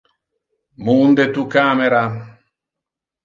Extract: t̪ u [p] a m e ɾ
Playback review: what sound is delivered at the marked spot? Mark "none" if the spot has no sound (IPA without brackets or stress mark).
k